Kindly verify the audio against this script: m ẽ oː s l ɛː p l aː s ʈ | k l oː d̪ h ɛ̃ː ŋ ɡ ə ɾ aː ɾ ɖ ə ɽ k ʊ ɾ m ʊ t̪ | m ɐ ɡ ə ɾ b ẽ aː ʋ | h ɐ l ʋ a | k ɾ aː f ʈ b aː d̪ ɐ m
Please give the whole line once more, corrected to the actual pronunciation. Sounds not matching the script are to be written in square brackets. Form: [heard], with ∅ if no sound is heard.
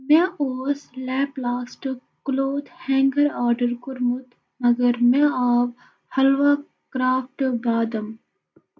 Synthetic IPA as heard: m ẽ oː s l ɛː p l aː s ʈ | k l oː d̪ h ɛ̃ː ŋ ɡ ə ɾ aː ɾ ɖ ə [ɾ] k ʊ ɾ m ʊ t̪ | m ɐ ɡ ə ɾ [m] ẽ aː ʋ | h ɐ l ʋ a | k ɾ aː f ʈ b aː d̪ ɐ m